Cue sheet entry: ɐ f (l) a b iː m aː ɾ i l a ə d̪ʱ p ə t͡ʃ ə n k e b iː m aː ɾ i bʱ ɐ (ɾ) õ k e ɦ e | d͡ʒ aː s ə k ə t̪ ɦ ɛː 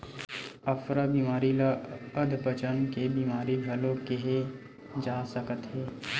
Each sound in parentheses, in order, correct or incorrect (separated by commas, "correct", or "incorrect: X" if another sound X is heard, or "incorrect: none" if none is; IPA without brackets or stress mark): incorrect: ɾ, incorrect: l